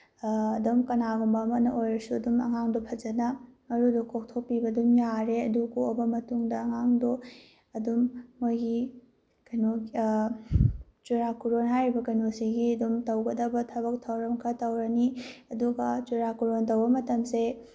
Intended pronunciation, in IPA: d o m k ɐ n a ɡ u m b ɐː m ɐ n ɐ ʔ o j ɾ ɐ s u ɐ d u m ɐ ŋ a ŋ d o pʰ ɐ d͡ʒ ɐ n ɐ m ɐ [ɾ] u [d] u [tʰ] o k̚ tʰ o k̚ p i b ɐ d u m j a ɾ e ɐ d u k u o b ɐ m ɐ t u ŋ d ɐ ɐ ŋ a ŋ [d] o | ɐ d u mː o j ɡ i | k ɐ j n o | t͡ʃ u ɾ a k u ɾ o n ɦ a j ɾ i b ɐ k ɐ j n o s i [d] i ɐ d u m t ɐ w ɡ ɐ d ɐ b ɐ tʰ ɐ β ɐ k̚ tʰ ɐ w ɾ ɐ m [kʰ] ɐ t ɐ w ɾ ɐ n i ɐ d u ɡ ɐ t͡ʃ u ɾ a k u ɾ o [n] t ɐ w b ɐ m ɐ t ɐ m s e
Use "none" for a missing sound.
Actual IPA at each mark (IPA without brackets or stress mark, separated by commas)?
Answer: ɾ, d, kʰ, d, ɡ, kʰ, n